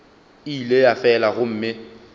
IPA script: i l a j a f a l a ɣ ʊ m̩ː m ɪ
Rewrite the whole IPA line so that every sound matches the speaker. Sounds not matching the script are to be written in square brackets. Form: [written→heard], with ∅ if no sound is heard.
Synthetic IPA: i l [a→e] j a f [a→ɛ] l a ɣ ʊ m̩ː m ɪ

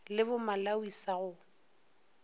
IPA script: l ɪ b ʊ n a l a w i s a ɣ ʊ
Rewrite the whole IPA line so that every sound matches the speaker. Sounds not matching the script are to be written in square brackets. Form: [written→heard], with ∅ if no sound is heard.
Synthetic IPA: l ɪ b ʊ [n→m] a l a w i s a ɣ ʊ

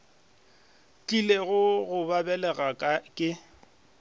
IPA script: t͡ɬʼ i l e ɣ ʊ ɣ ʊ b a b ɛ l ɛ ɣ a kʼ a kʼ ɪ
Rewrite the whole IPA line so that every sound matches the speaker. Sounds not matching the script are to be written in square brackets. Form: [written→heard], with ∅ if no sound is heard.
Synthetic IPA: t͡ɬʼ i l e ɣ ʊ ɣ ʊ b a b ɛ l ɛ ɣ a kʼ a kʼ ɪ

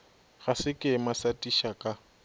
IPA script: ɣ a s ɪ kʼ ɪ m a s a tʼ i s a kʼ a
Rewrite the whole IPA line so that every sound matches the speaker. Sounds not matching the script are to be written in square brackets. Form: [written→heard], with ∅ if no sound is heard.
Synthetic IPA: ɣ a s ɪ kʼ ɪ m a s a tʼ i [s→ʃ] a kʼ a

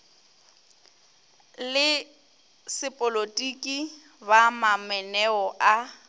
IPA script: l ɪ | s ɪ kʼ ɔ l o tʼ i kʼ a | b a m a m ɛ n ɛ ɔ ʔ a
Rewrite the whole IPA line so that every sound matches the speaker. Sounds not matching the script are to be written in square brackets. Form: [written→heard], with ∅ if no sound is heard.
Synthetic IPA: l ɪ | s ɪ [kʼ→pʼ] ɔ l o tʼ i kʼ [a→i] | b a m a m ɛ n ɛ ɔ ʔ a

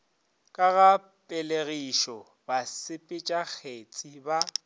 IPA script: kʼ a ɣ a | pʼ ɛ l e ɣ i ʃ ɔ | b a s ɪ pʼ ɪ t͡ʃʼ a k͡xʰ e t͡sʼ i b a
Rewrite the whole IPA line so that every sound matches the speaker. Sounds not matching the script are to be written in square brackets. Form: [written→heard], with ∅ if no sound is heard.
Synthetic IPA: kʼ a ɣ a | pʼ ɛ l e ɣ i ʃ ɔ | b a s ɪ pʼ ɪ t͡ʃʼ a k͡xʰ e t͡sʼ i b a

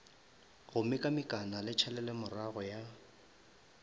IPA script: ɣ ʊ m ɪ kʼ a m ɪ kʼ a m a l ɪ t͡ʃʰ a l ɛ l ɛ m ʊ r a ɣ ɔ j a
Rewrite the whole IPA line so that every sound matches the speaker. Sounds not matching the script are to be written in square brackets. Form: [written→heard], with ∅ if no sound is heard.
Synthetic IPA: ɣ ʊ m ɪ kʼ a m ɪ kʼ a [m→n] a l ɪ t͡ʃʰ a l ɛ l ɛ m ʊ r a ɣ ɔ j a

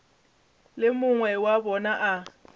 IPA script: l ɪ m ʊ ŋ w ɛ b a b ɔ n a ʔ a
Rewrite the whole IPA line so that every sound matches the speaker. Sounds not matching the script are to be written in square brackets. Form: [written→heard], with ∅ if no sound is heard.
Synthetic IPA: l ɪ m ʊ ŋ w ɛ [b→w] a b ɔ n a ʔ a

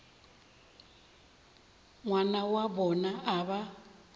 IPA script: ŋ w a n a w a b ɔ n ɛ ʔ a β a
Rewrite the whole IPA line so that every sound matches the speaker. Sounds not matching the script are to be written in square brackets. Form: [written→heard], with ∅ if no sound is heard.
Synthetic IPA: ŋ w a n a w a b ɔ n [ɛ→a] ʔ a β a

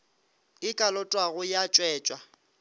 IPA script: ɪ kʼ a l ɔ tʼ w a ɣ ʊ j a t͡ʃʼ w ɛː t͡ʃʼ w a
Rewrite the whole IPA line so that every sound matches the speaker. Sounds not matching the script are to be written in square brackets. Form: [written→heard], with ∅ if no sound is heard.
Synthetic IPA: ɪ kʼ a l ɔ tʼ w a ɣ ʊ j a t͡ʃʼ w ɛː t͡ʃʼ w a

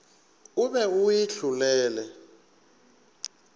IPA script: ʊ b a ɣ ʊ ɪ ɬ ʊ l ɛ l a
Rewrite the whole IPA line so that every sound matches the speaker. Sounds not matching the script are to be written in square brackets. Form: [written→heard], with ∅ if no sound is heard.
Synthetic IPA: ʊ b [a→ɛ] ɣ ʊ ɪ ɬ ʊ l [ɛ→ɛː] l [a→ɛ]

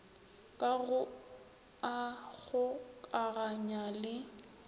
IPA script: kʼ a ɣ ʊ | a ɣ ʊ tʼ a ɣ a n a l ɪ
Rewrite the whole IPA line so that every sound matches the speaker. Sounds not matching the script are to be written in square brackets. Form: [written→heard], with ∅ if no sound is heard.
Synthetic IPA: kʼ a ɣ ʊ | a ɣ ʊ [tʼ→kʼ] a ɣ a [n→ɲ] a l ɪ

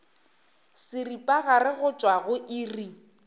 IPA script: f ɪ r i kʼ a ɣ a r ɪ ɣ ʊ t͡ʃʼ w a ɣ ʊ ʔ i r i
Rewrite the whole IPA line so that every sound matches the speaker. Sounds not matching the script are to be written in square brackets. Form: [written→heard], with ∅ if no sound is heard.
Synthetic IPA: [f→s] ɪ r i [kʼ→pʼ] a ɣ a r ɪ ɣ ʊ t͡ʃʼ w a ɣ ʊ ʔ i r i

